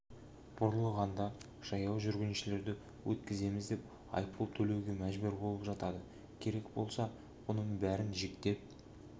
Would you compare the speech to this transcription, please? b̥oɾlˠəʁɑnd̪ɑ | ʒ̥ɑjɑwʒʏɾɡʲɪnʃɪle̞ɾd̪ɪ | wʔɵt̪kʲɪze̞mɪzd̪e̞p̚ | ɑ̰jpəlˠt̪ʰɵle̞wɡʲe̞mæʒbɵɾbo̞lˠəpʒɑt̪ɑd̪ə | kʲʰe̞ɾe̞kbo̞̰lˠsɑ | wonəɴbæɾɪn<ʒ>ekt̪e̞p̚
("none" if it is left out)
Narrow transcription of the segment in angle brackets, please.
ʒ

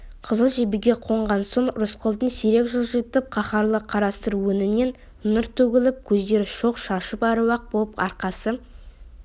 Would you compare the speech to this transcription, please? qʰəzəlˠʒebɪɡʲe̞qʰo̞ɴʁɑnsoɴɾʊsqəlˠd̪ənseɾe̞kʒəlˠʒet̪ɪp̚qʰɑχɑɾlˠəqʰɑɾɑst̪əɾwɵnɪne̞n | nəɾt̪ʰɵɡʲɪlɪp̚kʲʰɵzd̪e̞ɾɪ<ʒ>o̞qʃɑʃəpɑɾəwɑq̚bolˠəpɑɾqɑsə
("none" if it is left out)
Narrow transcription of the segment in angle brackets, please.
ʃ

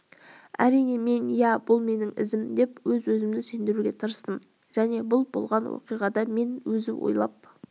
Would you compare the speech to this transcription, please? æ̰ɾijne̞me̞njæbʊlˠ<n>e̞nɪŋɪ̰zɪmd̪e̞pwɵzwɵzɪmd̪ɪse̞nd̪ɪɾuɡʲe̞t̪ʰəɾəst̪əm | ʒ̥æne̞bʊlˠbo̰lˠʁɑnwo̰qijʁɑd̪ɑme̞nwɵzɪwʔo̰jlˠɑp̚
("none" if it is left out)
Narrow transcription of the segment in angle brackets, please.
m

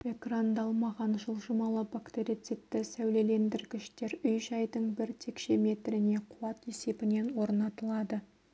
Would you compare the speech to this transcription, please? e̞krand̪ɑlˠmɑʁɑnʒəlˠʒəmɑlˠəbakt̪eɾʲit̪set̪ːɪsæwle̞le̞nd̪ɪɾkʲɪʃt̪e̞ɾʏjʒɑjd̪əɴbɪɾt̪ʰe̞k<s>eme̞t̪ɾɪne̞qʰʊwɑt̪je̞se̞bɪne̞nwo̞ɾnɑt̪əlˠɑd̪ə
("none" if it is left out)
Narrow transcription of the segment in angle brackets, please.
ʃ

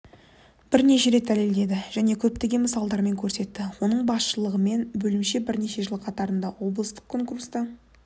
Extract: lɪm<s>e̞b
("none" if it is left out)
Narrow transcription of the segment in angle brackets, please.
ʃ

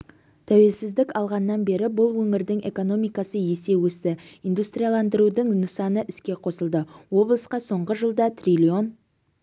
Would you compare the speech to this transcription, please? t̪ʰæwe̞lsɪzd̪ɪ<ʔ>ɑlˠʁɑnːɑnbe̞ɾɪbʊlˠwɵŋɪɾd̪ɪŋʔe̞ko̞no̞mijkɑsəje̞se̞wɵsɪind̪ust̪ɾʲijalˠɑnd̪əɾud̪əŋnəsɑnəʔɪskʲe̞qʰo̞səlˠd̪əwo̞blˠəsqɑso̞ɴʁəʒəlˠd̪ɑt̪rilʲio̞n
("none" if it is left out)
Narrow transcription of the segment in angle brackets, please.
k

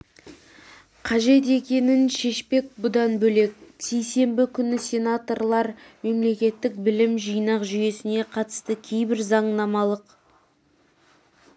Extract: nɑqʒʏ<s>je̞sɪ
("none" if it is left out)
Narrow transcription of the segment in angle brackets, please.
none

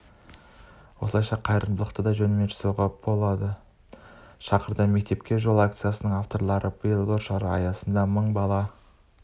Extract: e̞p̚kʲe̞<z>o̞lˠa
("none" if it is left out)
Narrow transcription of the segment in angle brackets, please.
ʒ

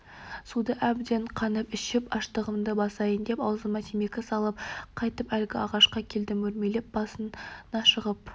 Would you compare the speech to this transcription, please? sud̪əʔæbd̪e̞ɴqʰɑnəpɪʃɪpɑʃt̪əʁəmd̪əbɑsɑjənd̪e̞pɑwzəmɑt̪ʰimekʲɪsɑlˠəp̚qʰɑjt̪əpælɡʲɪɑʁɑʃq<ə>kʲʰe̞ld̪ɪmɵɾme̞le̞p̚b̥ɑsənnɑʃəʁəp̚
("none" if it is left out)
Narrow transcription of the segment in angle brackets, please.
ɑ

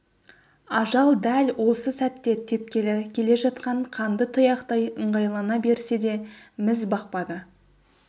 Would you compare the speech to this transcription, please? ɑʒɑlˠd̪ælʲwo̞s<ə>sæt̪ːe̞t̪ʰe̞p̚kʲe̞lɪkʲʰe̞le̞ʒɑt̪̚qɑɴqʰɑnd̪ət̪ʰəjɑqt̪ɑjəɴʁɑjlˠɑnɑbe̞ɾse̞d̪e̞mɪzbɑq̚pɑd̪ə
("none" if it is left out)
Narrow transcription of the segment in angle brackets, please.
ə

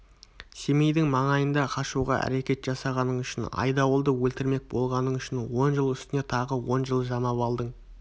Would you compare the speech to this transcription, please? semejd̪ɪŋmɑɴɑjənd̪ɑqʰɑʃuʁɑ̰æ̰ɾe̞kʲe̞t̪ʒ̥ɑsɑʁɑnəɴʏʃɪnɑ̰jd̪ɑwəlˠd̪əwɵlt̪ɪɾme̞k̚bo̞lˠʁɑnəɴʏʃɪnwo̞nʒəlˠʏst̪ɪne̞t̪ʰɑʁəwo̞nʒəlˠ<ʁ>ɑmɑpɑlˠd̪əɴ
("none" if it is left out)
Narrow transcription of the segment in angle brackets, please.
ʒ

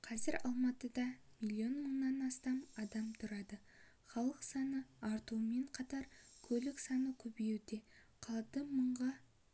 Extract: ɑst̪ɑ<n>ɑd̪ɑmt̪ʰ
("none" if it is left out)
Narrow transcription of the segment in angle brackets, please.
m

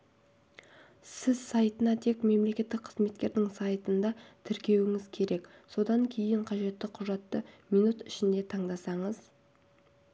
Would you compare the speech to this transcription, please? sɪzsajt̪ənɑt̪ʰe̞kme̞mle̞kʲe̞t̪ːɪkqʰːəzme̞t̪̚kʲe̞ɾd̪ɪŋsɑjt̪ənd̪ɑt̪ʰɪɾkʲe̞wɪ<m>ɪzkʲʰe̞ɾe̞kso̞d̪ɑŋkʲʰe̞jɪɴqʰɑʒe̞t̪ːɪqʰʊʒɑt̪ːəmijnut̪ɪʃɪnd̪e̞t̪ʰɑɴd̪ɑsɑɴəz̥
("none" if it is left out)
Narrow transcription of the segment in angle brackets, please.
ŋ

